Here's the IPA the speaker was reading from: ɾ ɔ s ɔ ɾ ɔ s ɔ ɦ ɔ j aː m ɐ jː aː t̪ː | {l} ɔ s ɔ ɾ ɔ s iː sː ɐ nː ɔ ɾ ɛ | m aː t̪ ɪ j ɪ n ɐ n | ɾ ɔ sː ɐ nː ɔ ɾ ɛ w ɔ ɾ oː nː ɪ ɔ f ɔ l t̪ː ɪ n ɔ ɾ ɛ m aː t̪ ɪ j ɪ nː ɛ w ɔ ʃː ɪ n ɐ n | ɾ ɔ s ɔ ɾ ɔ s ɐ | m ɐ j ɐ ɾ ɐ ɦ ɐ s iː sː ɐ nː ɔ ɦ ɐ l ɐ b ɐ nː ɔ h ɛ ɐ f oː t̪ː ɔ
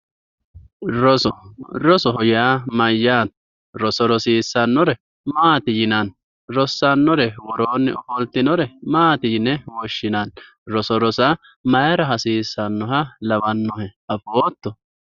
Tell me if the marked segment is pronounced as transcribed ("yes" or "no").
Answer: no